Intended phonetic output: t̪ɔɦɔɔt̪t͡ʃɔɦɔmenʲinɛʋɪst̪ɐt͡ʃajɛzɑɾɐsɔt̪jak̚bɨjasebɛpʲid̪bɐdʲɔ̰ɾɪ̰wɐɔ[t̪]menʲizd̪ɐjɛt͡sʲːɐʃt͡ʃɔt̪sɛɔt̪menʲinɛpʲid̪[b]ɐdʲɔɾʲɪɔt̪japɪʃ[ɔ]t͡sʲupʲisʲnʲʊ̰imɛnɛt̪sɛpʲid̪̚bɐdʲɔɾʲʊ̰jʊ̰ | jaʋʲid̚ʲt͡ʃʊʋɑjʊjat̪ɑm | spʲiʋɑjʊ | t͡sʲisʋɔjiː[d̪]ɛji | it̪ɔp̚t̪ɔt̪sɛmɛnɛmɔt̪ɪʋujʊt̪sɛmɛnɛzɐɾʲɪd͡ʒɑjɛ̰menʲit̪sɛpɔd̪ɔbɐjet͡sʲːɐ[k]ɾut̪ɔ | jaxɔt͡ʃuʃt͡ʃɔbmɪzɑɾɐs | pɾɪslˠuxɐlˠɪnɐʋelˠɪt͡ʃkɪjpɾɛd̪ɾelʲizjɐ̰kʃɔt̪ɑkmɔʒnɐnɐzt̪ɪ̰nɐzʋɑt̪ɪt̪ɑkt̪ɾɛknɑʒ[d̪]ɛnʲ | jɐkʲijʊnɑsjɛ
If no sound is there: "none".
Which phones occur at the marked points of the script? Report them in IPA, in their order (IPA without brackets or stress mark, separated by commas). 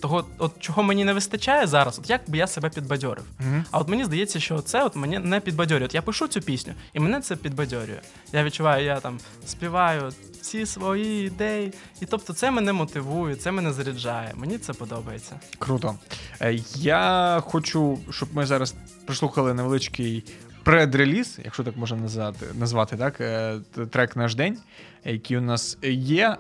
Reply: t̪, b, u, d̪, k, d̪